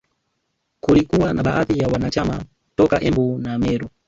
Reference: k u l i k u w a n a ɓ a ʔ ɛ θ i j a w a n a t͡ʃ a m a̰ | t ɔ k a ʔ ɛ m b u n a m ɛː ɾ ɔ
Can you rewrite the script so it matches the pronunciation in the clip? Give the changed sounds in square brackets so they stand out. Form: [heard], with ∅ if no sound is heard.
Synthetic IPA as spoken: k u l i k u w a n a ɓ a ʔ [a] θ i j a w a n a t͡ʃ a m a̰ | t ɔ k a ʔ ɛ m b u n a m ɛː ɾ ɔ